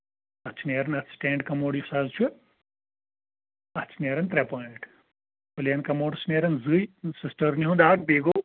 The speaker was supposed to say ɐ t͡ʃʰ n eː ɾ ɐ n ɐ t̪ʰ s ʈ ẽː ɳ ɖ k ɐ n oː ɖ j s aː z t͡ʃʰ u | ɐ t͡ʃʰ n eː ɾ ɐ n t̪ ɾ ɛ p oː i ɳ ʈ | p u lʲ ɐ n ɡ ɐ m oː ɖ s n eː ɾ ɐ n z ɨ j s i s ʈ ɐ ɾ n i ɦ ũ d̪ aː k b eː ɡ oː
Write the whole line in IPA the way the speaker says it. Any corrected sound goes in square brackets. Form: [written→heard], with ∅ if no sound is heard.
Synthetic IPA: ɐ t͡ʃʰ n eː ɾ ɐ n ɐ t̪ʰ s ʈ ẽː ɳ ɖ k ɐ [n→m] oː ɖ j s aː z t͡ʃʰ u | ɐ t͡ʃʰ n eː ɾ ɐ n t̪ ɾ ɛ p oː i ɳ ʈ | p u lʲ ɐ n [ɡ→k] ɐ m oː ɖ s n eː ɾ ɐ n z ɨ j s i s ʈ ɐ ɾ n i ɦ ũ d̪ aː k b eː ɡ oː